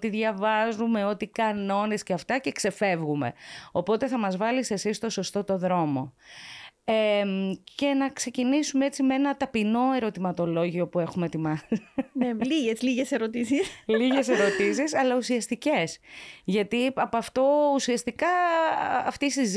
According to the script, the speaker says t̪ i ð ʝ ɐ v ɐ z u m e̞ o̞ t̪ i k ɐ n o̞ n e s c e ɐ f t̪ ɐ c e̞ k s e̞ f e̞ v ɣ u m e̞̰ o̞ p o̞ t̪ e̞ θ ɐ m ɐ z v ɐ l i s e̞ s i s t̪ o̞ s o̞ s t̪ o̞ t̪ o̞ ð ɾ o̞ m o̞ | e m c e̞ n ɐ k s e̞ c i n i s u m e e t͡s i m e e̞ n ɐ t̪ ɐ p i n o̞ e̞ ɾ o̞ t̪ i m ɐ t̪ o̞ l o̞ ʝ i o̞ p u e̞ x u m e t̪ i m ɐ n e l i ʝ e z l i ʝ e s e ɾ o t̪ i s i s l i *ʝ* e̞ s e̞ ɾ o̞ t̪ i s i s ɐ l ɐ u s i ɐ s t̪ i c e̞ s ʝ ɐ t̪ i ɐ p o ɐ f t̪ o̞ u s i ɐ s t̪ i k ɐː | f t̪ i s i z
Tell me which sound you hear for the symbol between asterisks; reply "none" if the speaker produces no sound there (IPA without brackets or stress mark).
ʝ